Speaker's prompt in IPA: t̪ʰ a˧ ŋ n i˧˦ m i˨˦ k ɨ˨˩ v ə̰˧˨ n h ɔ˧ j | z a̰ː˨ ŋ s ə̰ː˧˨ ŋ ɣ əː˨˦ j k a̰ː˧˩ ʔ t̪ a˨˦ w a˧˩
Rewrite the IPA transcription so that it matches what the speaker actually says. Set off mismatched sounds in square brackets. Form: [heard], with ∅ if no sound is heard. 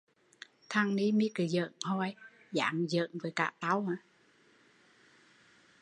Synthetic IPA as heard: t̪ʰ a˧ ŋ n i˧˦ m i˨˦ k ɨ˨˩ [z] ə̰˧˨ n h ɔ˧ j | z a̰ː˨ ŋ [z] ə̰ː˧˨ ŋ [v] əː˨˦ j k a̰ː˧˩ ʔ t̪ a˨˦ w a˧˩